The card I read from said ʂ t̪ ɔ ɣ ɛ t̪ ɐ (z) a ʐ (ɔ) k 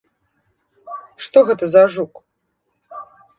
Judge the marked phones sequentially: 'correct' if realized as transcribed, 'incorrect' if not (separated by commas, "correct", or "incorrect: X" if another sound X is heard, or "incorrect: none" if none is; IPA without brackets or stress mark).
correct, incorrect: u